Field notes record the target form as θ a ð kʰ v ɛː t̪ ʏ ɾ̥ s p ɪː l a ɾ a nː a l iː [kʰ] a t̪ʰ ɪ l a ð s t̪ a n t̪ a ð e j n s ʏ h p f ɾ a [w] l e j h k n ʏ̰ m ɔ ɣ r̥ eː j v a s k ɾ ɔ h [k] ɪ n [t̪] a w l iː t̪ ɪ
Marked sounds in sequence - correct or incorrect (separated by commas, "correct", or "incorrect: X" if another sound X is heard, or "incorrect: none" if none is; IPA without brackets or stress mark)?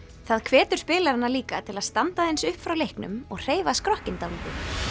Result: incorrect: k, correct, incorrect: c, correct